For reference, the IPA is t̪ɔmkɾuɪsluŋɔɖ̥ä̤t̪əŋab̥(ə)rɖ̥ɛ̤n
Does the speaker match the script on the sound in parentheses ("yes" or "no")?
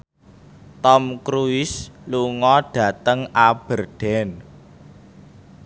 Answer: yes